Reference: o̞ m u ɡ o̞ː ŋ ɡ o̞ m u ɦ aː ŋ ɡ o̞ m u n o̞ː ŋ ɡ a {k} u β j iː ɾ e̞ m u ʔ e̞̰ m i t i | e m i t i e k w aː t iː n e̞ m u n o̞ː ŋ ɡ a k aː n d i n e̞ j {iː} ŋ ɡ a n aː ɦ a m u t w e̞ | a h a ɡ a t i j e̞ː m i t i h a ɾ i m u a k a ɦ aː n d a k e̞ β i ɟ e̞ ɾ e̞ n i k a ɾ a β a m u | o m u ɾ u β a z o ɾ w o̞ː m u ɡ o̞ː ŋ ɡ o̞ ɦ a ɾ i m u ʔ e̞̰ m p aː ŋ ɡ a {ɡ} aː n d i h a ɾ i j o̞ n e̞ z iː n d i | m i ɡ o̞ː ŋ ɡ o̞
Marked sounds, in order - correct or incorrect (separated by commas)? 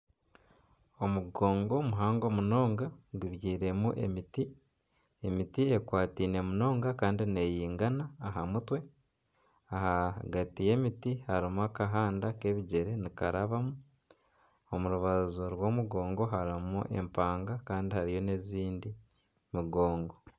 incorrect, correct, incorrect